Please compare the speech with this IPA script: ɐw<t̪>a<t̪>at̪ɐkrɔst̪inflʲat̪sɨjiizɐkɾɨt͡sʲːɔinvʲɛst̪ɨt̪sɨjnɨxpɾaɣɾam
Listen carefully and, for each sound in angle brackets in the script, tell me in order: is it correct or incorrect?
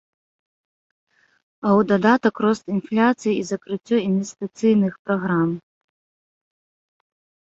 incorrect: d̪, incorrect: d̪

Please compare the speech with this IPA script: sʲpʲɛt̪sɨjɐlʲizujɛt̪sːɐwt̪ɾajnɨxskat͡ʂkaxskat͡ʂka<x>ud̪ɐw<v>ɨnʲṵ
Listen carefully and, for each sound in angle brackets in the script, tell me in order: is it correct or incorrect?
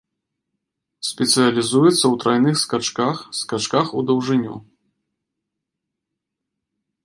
correct, incorrect: ʐ

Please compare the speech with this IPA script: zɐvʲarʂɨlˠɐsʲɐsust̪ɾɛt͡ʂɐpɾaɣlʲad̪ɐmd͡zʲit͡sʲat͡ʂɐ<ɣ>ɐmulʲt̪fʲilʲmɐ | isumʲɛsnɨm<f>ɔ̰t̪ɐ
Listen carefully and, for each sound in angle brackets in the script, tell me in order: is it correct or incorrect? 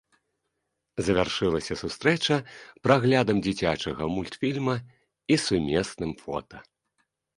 correct, correct

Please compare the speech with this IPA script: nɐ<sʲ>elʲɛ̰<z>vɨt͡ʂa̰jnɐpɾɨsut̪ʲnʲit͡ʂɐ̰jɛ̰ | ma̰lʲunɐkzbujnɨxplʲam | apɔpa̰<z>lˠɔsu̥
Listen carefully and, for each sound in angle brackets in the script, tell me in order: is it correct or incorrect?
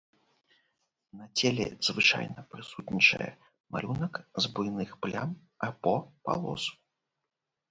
incorrect: t͡sʲ, correct, incorrect: none

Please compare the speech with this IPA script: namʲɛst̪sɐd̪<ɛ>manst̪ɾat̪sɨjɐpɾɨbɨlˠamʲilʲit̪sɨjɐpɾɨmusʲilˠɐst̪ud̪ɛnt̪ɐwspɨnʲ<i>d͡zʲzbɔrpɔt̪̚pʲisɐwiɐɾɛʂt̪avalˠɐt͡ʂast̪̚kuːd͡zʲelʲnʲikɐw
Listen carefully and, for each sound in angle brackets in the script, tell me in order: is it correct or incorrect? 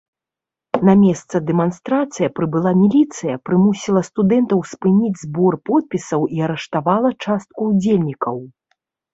correct, correct

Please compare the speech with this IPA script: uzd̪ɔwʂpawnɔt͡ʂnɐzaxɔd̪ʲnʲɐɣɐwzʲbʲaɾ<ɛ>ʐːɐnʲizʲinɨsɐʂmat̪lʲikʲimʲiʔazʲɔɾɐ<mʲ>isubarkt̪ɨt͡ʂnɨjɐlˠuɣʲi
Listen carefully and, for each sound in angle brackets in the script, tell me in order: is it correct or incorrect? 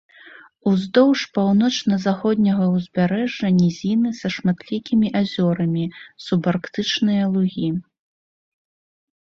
correct, correct

